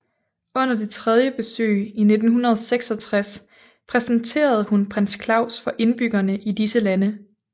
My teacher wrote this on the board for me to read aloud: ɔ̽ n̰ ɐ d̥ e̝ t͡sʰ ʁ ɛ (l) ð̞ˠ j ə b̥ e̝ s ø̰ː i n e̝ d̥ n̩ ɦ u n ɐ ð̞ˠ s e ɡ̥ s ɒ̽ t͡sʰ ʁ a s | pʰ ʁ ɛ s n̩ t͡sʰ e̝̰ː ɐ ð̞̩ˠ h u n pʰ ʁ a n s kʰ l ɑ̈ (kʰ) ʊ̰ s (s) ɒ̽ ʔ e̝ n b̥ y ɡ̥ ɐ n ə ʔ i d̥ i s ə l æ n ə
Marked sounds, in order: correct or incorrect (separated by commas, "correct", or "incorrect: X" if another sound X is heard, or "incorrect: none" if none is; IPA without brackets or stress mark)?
incorrect: none, incorrect: none, incorrect: f